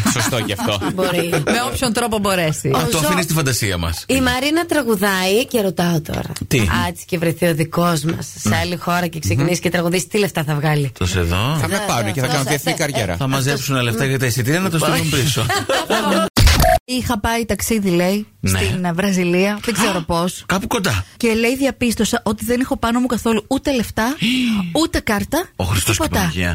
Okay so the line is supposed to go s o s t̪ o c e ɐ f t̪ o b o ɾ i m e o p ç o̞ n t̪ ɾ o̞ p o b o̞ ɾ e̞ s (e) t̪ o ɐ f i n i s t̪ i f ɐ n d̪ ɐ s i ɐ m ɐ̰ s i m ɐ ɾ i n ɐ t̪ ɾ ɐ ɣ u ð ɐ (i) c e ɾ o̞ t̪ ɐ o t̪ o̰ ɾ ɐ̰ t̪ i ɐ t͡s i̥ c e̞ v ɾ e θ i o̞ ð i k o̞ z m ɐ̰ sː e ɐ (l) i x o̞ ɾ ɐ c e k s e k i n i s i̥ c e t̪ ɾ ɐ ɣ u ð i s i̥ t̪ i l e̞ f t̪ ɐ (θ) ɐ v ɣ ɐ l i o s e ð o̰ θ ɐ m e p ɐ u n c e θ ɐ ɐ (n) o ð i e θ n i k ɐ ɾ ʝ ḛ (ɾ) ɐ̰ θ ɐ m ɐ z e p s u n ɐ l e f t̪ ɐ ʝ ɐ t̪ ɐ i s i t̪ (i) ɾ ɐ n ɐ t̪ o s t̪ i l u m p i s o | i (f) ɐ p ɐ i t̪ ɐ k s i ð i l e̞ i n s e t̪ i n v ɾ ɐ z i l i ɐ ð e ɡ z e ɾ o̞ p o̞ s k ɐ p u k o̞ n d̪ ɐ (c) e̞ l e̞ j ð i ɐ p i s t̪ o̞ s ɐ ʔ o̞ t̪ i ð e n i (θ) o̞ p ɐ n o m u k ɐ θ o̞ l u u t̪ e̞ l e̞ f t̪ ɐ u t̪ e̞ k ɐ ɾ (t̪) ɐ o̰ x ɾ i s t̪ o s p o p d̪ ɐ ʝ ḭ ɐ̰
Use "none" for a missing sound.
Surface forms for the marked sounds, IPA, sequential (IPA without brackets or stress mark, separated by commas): i, i, l, θ, n, ɾ, i, x, c, x, t̪